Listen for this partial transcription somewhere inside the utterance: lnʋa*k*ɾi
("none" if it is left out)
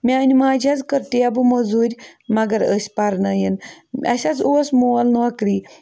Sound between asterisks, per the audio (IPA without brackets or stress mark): k